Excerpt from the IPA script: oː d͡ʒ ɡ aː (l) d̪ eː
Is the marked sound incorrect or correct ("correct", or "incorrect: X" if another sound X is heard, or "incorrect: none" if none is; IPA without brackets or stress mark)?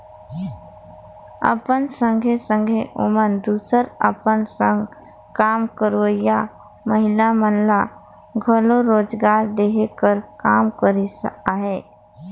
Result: incorrect: ɾ